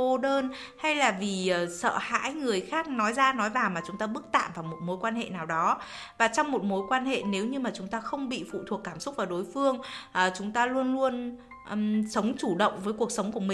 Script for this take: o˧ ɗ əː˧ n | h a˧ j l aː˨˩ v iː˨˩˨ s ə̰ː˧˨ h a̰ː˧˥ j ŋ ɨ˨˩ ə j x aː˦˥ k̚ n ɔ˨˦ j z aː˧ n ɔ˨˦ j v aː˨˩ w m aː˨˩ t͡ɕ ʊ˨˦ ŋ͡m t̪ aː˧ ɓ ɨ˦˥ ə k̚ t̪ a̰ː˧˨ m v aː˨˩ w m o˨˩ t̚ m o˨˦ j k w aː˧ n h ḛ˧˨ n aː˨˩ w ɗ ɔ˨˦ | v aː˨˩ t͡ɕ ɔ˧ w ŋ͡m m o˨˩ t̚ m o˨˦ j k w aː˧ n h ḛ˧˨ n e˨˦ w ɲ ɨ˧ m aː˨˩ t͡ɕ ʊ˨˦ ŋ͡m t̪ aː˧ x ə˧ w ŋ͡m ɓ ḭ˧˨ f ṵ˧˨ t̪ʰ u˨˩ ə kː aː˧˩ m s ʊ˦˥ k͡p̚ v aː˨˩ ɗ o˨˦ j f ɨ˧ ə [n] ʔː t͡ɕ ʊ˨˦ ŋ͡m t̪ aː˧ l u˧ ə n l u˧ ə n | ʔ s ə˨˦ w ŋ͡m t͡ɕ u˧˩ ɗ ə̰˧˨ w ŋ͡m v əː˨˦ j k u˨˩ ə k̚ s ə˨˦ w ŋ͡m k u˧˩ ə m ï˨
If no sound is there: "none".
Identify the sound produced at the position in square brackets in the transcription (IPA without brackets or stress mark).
ŋ